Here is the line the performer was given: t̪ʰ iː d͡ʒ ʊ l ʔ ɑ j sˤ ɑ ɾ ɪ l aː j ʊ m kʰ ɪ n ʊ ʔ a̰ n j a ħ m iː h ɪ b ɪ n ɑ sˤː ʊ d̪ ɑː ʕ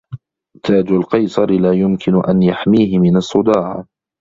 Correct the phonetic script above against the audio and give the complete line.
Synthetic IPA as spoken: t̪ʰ aː d͡ʒ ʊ l q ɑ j sˤ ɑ ɾ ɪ l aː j ʊ m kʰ ɪ n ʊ ʔ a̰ n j a ħ m iː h ɪ m ɪ n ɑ sˤː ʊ d̪ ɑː ʕ